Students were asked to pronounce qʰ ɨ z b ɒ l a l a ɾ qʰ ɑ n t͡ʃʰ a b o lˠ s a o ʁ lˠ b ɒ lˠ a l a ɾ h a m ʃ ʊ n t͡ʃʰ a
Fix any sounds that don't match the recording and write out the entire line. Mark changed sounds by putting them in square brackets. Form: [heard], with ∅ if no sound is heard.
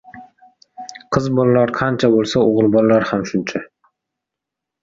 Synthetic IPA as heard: qʰ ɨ z b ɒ l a l a ɾ qʰ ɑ n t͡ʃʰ a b o lˠ s a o ʁ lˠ b ɒ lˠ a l a ɾ h a m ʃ ʊ n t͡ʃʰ a